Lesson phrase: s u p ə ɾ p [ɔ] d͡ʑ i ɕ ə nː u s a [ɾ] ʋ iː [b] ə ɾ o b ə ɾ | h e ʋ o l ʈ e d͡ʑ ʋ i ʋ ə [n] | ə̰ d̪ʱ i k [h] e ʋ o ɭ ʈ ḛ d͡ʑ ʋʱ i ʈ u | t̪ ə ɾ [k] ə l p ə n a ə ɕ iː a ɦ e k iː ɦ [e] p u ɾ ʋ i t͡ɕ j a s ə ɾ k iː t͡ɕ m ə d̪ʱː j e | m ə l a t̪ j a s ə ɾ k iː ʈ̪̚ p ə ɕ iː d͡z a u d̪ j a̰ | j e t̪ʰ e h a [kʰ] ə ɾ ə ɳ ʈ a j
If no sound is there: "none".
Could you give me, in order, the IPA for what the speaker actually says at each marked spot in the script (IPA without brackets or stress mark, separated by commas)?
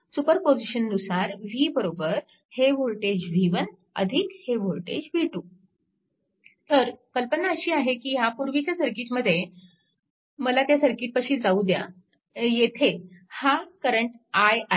o, ɾ, b, n, h, k, a, k